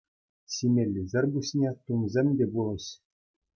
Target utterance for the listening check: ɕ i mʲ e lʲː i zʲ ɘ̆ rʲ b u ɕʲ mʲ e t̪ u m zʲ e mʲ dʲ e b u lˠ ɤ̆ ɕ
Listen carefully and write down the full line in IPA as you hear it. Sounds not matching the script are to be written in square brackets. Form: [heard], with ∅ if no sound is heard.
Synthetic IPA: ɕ i mʲ e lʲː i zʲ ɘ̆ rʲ b u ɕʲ [nʲ] e t̪ u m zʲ e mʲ dʲ e b u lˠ ɤ̆ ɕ